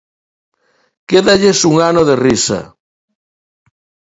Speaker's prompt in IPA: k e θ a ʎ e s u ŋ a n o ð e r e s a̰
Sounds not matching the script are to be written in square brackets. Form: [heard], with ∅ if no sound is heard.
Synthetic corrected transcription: k e [ð] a ʎ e s u ŋ a n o ð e r [i] s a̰